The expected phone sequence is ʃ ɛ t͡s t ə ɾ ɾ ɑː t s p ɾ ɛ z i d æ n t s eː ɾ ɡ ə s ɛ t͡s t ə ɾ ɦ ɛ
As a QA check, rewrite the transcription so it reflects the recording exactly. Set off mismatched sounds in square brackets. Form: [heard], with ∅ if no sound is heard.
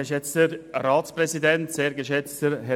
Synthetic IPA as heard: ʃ ɛ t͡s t ə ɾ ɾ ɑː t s p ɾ ɛ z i d [ɛ] n t s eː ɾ ɡ ə [ʃ] ɛ t͡s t ə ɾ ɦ ɛ

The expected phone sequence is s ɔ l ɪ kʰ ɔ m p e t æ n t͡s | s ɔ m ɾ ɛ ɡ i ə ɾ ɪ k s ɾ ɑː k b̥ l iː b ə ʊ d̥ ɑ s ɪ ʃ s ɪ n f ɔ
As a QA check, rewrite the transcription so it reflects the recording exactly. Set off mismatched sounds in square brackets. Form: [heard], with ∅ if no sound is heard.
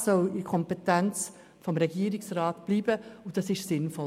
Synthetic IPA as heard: s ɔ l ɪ kʰ ɔ m p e t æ n t͡s | [f] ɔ m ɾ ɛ ɡ i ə ɾ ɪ k s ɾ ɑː [t] b̥ l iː b ə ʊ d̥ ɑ s ɪ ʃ s ɪ n f ɔ

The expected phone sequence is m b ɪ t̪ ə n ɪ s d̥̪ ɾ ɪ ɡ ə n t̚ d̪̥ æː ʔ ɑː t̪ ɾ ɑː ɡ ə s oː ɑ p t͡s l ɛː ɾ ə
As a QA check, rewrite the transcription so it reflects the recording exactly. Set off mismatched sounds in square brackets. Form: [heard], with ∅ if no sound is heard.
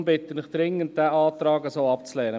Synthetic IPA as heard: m b ɪ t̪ ə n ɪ [χ] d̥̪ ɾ ɪ [ŋ] ə n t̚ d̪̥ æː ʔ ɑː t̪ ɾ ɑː ɡ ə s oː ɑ p t͡s l ɛː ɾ ə

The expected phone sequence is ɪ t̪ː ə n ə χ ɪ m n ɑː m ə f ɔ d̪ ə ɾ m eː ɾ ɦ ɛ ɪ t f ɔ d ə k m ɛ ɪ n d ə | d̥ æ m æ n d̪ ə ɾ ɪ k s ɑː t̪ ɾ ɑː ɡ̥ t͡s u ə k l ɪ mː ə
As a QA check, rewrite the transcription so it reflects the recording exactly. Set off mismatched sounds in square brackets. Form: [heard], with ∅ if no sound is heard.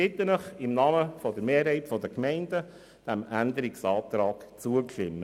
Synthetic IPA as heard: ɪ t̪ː ə n ə χ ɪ m n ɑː m ə f ɔ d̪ ə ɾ m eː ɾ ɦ ɛ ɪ t f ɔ d ə k m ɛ ɪ n d ə | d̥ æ m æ n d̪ ə ɾ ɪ k s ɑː t̪ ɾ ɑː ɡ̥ t͡s u ə k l ɪ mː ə

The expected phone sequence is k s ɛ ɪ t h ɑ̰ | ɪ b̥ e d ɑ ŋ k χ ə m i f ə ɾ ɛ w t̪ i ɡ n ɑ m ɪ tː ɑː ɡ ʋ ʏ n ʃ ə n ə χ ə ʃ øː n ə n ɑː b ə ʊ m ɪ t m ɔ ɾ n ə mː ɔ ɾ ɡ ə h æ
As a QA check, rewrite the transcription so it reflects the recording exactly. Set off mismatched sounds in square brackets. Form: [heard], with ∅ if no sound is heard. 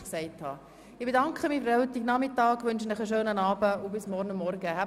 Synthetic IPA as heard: k s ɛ ɪ t h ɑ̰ | ɪ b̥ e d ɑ ŋ k χ ə m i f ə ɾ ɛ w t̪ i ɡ n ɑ m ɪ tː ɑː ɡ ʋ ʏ n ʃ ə n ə χ ə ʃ øː n ə n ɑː b ə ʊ [b] ɪ [s] m ɔ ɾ n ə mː ɔ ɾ ɡ ə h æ

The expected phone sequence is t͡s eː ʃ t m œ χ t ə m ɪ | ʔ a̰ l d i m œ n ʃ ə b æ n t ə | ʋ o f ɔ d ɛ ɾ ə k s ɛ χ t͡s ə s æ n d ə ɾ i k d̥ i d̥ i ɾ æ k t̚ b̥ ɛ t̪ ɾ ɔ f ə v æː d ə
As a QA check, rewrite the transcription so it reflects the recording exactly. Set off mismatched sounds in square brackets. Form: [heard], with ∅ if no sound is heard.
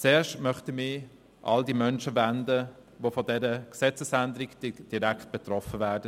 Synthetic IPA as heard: t͡s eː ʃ t m œ χ t ə m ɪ | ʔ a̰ l d i m œ n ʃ ə [v] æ n [d] ə | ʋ o f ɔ d ɛ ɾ ə k s ɛ [∅] t͡s ə s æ n d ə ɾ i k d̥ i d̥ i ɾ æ k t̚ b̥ ɛ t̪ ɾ ɔ f ə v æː d ə

